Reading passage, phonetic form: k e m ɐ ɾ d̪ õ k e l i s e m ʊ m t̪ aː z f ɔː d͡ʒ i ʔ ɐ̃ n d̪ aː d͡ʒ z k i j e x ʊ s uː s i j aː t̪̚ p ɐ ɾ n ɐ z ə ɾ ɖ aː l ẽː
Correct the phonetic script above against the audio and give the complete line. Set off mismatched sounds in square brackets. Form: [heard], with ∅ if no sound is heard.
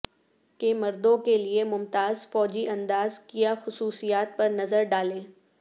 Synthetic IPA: k e m ɐ ɾ d̪ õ k e l i [∅] e m ʊ m t̪ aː z f ɔː d͡ʒ i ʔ ɐ̃ n d̪ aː [∅] z k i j [a] x ʊ s uː s i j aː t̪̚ p ɐ ɾ n ɐ z ə ɾ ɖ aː l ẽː